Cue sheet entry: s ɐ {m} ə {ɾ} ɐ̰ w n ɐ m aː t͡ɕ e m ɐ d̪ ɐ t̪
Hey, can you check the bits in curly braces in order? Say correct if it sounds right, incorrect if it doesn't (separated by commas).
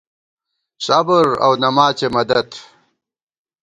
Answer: incorrect, correct